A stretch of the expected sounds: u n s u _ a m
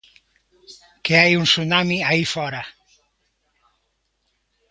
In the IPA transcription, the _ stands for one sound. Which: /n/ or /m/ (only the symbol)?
n